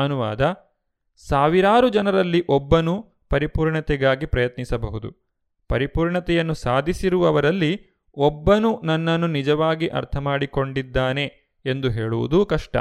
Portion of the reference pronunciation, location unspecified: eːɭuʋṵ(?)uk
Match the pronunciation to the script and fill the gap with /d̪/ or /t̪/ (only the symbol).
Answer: d̪